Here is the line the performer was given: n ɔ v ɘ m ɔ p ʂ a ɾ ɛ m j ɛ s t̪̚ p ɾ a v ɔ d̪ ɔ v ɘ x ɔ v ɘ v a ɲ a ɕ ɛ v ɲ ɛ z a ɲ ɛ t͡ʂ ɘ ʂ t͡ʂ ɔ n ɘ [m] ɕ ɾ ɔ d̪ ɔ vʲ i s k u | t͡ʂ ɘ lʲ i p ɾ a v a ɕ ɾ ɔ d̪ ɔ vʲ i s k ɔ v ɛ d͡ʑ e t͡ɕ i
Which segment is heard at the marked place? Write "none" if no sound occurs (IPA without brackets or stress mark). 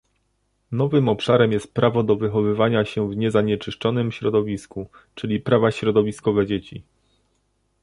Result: m